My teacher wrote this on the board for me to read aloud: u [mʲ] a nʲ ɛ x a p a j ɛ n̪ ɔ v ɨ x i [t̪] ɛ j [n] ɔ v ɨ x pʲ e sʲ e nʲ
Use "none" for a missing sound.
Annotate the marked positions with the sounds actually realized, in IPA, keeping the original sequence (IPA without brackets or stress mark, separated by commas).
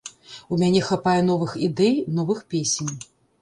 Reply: mʲ, d̪, n